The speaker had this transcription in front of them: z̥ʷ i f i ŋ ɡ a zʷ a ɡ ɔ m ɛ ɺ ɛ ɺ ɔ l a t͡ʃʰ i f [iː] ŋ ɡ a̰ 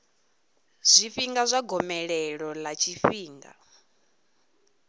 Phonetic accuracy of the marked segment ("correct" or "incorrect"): correct